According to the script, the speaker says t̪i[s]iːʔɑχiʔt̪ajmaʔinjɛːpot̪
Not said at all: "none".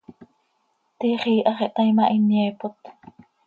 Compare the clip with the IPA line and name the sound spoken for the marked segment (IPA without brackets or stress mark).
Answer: χ